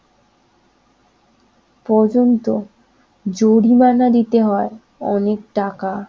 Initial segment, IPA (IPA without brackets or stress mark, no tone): p